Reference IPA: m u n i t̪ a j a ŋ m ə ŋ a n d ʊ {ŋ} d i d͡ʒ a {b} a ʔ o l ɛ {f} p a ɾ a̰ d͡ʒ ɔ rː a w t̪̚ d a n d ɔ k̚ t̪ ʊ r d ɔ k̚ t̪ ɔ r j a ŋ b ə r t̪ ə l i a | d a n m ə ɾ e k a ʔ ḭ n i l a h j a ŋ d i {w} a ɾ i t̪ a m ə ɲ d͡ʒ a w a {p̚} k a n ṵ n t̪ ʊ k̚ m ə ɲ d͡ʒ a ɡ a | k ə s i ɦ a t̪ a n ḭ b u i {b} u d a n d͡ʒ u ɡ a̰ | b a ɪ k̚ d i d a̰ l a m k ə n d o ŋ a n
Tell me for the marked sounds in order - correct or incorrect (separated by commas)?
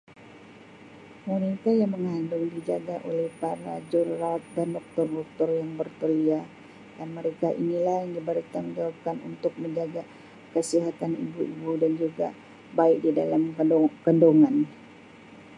correct, incorrect, incorrect, incorrect, correct, correct